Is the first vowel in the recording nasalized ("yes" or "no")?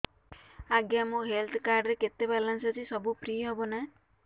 no